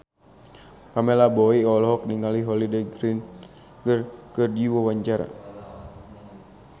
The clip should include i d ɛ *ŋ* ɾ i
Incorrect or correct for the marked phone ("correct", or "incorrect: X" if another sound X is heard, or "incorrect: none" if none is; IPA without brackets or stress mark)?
incorrect: ɡ